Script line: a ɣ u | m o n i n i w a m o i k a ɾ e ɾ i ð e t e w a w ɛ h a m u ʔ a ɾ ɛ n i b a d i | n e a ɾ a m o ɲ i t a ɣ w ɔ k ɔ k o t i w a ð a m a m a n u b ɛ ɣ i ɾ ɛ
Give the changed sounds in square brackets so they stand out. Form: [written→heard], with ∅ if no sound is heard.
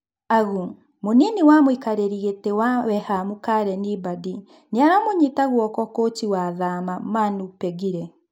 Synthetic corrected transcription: a ɣ u | m o n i n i w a m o i k a ɾ e ɾ i [ð→ɣ] e t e w a w ɛ h a m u [ʔ→k] a ɾ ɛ n i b a d i | n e a ɾ a m o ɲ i t a ɣ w ɔ k ɔ k o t i w a ð a m a m a n u [b→p] ɛ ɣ i ɾ ɛ